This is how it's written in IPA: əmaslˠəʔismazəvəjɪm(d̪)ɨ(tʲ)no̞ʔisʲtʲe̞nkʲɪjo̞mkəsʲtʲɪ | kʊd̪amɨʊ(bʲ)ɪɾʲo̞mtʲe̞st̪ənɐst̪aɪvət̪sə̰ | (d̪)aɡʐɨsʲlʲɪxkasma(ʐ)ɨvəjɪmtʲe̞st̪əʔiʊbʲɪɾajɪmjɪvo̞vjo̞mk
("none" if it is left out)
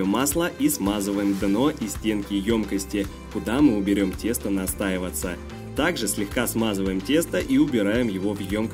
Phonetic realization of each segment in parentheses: d̪, none, bʲ, t̪, z

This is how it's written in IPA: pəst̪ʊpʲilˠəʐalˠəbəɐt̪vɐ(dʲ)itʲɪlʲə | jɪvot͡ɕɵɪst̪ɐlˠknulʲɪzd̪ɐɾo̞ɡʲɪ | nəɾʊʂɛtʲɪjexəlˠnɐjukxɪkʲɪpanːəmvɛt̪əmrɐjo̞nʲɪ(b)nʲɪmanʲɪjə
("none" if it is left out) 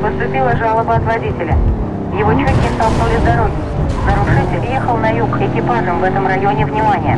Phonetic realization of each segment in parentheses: dʲ, v

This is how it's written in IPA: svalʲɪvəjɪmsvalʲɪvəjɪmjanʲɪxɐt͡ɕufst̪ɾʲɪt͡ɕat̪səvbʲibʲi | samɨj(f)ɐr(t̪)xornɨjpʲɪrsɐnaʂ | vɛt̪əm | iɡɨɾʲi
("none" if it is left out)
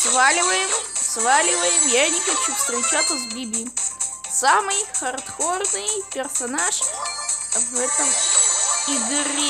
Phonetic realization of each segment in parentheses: x, t̪

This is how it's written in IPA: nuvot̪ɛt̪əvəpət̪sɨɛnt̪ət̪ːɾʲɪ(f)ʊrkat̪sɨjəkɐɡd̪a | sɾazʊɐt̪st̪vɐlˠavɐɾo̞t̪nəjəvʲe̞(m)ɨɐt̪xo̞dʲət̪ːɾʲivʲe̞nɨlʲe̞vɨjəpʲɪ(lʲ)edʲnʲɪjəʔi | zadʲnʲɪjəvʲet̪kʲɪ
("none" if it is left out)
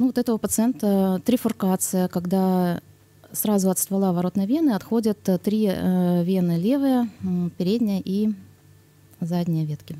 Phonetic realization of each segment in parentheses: f, n, ɾʲ

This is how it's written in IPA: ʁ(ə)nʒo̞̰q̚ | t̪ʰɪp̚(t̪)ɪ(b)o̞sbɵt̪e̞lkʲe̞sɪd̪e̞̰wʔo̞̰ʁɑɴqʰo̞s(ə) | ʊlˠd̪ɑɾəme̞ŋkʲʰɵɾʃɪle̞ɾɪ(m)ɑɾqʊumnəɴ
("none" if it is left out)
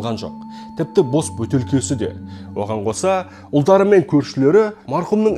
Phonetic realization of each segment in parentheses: ɑ, t̪, b, ɑ, m

